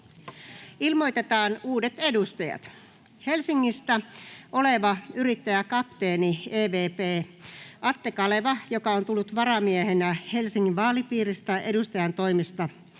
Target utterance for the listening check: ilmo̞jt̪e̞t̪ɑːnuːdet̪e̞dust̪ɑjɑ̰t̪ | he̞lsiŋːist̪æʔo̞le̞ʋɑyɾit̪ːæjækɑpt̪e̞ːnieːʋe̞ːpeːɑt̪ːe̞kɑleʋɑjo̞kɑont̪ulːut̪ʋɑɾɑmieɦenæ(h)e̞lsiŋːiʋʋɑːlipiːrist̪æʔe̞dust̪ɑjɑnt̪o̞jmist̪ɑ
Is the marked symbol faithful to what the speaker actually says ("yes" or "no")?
yes